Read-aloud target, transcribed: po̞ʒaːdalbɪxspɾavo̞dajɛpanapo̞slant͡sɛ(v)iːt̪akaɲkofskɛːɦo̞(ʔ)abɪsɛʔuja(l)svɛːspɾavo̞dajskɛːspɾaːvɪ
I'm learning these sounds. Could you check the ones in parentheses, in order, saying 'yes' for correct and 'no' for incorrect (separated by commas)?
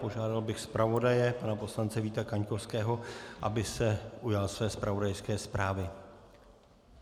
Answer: yes, yes, yes